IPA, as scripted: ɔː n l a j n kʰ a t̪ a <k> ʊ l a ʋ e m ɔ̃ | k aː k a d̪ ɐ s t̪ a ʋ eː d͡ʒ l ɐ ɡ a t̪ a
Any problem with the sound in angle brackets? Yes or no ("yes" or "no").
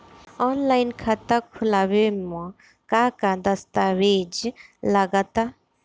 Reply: yes